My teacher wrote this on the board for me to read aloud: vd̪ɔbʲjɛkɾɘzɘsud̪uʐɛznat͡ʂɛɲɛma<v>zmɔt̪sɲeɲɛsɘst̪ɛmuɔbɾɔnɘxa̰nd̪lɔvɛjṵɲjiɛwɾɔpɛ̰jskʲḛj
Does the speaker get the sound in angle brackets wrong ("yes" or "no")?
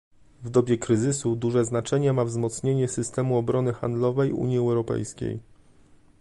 no